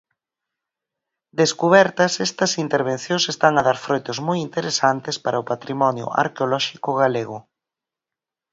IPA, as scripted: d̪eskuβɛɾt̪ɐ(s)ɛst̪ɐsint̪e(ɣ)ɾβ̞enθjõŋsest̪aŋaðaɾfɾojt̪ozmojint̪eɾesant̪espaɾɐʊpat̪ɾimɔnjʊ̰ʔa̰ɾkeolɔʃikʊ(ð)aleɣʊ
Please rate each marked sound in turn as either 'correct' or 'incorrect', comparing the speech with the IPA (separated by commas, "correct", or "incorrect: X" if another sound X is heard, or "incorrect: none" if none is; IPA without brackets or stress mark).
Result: correct, incorrect: none, incorrect: ɣ